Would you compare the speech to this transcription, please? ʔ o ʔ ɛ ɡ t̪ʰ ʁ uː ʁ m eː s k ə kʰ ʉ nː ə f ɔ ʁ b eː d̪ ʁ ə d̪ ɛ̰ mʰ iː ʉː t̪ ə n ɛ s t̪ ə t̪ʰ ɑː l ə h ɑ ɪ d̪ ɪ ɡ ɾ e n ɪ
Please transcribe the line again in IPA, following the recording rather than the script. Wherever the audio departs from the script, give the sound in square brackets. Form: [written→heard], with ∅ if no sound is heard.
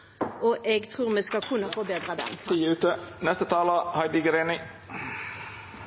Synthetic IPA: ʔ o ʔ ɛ ɡ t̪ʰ ʁ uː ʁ m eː s k [ə→ɑ] kʰ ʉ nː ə f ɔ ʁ b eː d̪ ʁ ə d̪ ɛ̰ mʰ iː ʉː t̪ ə n ɛ s t̪ ə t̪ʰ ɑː l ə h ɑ ɪ d̪ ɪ ɡ ɾ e n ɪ